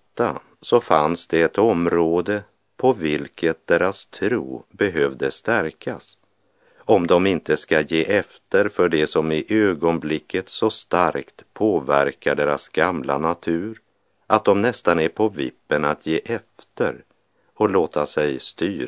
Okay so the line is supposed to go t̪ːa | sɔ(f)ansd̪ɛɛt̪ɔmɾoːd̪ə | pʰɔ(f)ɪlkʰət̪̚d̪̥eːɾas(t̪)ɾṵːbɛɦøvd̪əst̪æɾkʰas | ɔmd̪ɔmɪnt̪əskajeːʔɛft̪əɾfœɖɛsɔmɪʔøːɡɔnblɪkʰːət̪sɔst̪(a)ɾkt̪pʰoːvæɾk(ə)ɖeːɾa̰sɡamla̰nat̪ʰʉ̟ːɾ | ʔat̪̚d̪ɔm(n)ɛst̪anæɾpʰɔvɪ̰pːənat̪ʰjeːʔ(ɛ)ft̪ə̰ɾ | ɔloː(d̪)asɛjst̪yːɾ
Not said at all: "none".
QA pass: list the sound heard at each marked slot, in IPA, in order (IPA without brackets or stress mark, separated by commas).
f, v, t̪ʰ, a, a, n, ɛ, t̪